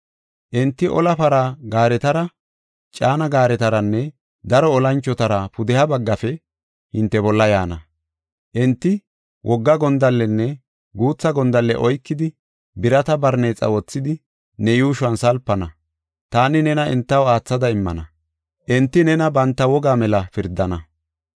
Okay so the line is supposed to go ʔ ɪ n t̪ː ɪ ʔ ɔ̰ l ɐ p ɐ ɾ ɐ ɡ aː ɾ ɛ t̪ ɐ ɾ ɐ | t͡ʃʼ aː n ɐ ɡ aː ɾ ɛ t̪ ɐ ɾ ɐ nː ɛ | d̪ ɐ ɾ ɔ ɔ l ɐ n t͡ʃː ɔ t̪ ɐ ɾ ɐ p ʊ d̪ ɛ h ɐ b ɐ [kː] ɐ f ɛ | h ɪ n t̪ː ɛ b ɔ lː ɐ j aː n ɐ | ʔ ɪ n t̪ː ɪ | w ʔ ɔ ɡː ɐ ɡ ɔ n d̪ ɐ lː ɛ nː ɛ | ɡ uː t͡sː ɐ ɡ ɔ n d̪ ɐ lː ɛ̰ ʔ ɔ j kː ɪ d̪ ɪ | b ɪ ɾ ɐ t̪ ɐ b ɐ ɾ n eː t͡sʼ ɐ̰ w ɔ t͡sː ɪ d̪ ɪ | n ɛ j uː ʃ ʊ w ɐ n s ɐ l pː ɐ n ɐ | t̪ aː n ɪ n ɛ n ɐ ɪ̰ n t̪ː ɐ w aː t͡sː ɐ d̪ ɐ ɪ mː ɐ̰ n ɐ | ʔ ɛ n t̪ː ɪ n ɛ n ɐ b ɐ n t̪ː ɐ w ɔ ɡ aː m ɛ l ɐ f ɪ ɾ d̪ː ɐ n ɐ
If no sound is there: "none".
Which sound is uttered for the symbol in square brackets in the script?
ɡː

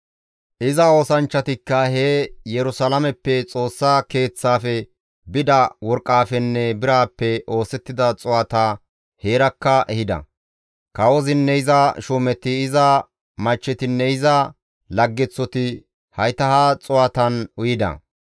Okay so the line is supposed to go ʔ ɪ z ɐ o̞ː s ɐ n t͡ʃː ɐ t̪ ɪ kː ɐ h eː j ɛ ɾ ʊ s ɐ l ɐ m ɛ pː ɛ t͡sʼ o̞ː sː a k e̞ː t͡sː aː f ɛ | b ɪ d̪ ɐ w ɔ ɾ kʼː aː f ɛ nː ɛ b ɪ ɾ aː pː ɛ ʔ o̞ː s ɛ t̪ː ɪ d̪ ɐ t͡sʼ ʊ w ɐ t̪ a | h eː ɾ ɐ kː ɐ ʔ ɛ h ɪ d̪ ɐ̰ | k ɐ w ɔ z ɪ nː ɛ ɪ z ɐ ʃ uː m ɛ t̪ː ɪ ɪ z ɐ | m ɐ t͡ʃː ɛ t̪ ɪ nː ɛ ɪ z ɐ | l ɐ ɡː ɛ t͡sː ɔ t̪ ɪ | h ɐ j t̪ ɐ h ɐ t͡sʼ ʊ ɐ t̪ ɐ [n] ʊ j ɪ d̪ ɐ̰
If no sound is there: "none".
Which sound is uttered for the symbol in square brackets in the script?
n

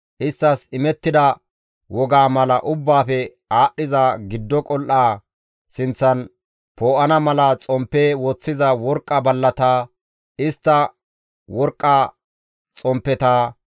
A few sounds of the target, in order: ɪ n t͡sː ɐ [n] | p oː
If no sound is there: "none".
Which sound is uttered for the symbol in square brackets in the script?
n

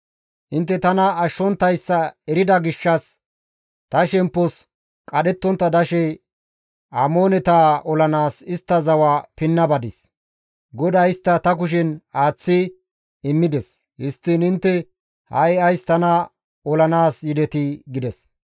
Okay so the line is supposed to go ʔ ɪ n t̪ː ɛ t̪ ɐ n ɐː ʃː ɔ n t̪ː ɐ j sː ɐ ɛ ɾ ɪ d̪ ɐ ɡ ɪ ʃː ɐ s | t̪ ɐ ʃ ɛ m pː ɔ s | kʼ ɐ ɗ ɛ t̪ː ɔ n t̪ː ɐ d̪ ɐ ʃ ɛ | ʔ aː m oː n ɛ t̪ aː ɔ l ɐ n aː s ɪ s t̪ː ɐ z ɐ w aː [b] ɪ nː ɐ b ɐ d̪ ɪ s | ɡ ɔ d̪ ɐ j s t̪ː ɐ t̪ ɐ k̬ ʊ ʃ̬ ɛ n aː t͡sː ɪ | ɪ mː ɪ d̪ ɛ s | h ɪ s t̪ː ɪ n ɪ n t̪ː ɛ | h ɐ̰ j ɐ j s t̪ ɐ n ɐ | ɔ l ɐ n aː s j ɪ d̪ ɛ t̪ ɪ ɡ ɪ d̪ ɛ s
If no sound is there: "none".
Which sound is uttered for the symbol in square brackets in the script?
p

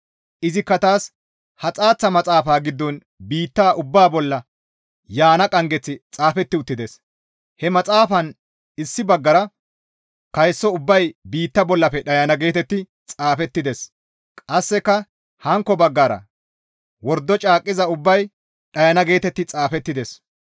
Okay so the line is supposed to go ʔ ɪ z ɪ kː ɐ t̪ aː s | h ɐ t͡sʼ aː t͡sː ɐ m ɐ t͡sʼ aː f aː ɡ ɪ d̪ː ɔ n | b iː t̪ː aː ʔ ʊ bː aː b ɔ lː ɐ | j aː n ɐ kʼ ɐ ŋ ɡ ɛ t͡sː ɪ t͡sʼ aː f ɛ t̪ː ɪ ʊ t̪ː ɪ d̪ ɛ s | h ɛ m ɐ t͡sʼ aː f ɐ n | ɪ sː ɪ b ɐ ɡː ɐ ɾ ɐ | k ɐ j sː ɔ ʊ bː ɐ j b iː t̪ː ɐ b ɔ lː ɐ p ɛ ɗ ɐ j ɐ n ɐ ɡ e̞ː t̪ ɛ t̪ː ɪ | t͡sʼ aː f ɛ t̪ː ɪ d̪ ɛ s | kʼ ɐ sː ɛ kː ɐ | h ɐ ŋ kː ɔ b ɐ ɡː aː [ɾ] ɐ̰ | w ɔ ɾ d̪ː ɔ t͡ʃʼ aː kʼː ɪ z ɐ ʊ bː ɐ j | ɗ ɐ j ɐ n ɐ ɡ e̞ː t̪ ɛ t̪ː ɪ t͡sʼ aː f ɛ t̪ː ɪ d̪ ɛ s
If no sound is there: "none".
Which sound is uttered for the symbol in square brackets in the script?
ɾ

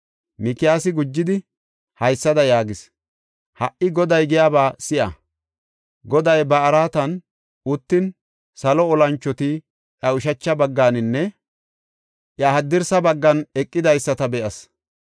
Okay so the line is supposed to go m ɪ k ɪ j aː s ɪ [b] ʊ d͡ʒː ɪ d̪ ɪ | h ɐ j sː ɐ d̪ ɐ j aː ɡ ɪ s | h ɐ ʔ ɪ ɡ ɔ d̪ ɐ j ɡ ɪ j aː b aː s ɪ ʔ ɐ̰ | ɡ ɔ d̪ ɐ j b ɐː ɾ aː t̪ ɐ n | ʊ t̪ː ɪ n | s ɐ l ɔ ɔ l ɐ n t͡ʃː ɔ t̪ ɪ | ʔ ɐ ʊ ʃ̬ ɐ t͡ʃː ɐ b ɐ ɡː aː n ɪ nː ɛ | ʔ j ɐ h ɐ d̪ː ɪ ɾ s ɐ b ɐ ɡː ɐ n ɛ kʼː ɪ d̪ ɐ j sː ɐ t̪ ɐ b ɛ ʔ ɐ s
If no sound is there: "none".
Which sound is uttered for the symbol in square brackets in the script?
ɡ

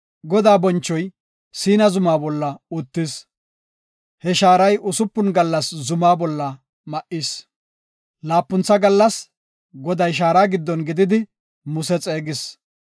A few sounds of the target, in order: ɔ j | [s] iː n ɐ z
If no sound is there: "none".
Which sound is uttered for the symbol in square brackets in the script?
s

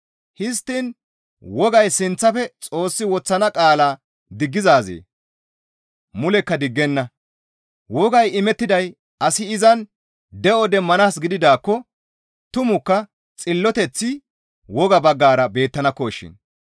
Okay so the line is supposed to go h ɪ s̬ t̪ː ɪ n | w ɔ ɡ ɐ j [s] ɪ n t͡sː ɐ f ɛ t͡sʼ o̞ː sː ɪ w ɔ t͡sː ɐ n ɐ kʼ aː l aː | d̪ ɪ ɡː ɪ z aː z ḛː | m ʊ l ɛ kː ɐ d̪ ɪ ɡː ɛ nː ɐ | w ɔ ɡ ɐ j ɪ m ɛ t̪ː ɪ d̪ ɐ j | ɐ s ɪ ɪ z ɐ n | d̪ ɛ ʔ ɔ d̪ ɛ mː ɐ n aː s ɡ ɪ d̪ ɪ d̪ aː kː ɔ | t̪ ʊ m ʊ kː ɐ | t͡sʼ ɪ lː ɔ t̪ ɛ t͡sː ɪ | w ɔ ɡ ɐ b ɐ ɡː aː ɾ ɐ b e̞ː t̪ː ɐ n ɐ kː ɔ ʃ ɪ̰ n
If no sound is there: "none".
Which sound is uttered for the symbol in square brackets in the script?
s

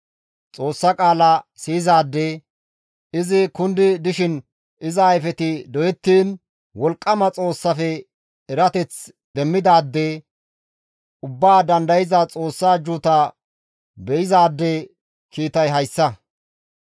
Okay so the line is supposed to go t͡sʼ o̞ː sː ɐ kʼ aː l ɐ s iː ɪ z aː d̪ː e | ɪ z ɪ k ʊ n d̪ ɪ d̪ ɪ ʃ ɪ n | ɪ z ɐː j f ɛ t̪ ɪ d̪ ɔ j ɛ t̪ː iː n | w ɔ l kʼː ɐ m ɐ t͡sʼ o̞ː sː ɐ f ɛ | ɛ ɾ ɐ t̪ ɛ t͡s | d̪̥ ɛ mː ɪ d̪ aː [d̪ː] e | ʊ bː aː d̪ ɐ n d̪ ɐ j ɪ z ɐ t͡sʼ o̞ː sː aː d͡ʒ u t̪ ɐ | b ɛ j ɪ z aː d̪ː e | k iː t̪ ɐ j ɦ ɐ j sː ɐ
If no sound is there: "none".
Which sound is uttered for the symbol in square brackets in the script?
d̪ː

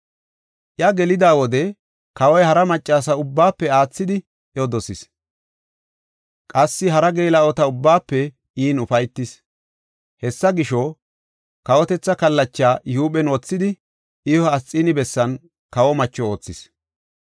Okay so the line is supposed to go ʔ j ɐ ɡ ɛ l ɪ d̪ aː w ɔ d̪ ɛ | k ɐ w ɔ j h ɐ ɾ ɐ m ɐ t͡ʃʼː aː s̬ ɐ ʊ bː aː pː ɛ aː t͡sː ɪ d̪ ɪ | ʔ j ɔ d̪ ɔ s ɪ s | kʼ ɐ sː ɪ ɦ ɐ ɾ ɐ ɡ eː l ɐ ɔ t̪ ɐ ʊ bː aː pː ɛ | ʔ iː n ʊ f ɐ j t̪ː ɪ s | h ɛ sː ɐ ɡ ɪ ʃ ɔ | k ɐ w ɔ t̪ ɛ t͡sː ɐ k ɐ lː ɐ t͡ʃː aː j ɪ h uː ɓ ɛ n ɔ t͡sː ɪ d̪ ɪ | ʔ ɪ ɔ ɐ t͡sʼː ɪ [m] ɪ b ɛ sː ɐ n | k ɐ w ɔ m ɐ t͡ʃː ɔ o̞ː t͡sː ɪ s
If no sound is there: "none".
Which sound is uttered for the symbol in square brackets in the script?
n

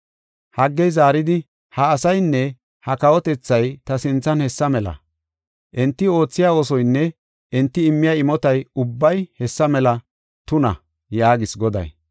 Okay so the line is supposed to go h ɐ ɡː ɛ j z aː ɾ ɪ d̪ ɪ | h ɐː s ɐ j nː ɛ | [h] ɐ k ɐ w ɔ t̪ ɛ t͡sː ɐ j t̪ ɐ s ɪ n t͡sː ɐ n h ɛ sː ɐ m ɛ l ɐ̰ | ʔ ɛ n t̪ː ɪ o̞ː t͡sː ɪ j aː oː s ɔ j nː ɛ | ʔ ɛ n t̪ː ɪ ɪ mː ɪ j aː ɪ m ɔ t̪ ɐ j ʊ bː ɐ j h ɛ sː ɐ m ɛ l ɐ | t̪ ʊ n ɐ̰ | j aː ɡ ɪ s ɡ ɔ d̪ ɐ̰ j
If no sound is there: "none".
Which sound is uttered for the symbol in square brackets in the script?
h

